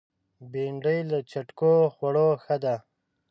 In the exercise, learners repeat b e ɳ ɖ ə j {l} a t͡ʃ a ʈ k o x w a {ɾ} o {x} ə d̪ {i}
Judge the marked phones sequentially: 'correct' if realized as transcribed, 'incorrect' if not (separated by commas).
correct, incorrect, correct, incorrect